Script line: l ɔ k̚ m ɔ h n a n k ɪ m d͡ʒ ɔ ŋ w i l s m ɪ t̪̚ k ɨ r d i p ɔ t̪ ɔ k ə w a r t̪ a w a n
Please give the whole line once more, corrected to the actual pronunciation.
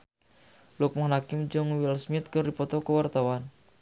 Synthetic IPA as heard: l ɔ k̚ m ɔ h n a k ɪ m d͡ʒ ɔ ŋ w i l s m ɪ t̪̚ k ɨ r d i p ɔ t̪ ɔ k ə w a r t̪ a w a n